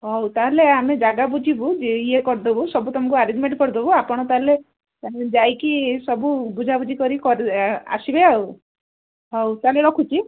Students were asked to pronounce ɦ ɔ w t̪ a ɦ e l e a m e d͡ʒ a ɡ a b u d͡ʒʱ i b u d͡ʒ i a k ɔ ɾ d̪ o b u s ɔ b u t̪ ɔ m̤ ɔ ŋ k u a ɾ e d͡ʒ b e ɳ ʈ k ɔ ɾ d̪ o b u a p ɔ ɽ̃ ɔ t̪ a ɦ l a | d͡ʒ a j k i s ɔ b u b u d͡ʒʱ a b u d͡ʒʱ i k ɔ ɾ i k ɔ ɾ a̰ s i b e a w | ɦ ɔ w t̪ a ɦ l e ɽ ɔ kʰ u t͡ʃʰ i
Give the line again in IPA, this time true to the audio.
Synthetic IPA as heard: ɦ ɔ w t̪ a ɦ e l e a m e d͡ʒ a ɡ a b u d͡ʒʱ i b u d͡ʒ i e k ɔ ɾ d̪ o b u s ɔ b u t̪ ɔ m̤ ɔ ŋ k u a ɾ e d͡ʒ m e ɳ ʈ k ɔ ɾ d̪ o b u a p ɔ ɽ̃ ɔ t̪ a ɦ l e | d͡ʒ a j k i s ɔ b u b u d͡ʒʱ a b u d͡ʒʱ i k ɔ ɾ i k ɔ ɾ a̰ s i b e a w | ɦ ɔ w t̪ a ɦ l e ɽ ɔ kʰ u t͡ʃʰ i